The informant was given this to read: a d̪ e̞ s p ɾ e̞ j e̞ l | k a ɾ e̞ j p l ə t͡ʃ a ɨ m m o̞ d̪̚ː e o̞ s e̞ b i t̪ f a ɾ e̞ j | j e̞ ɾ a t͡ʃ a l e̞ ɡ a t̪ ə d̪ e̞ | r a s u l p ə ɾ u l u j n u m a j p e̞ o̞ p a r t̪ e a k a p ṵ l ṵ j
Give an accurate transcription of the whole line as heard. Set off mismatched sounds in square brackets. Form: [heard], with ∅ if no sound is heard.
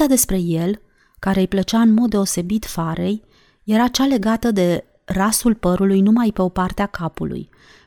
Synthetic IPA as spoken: a d̪ e̞ s p ɾ e̞ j e̞ l | k a ɾ e̞ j p l ə t͡ʃ a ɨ [n] m o̞ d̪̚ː e o̞ s e̞ b i t̪ f a ɾ e̞ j | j e̞ ɾ a t͡ʃ a l e̞ ɡ a t̪ ə d̪ e̞ | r a s u l p ə ɾ u l u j n u m a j p e̞ o̞ p a r t̪ e a k a p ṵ l ṵ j